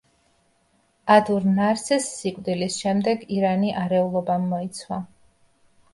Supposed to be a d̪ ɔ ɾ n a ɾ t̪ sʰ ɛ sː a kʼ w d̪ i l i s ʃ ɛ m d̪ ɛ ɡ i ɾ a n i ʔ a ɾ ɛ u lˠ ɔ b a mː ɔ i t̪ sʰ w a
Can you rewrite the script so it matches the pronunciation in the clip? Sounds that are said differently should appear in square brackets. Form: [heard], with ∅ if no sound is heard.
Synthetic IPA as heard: a d̪ [u] ɾ n a ɾ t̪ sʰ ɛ sː [i] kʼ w d̪ i l i s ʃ ɛ m d̪ ɛ ɡ i ɾ a n i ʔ a ɾ ɛ u lˠ ɔ b a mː ɔ i t̪ sʰ w a